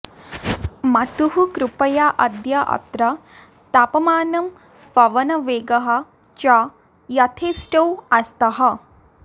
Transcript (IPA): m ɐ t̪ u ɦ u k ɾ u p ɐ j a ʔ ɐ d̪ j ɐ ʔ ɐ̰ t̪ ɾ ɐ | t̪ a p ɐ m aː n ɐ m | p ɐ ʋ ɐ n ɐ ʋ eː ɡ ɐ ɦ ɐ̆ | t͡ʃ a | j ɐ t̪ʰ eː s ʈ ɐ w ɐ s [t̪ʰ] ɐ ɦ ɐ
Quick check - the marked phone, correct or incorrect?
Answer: incorrect